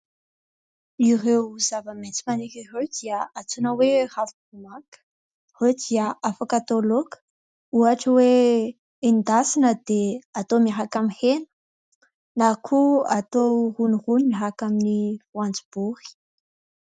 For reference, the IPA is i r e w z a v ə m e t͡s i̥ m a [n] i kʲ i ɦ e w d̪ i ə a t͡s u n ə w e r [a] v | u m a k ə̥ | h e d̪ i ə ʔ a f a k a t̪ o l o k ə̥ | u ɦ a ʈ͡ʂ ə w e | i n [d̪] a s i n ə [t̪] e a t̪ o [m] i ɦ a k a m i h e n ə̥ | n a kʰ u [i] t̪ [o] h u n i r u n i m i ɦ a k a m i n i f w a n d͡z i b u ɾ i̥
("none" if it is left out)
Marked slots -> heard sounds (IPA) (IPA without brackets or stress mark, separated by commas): n, a, d̪, d̪, m, a, o